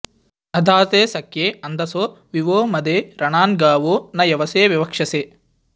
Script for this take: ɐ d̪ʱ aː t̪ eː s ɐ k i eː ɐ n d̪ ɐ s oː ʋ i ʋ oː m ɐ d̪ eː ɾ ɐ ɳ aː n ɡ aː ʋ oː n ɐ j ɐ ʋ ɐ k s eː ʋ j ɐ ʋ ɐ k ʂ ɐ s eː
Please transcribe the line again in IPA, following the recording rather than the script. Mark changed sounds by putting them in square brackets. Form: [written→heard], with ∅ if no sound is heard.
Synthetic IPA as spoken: ɐ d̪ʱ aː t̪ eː s ɐ k [i→j] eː ɐ n d̪ ɐ s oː ʋ i ʋ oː m ɐ d̪ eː ɾ ɐ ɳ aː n ɡ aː ʋ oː n ɐ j ɐ ʋ ɐ [k→∅] s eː ʋ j ɐ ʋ ɐ k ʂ ɐ s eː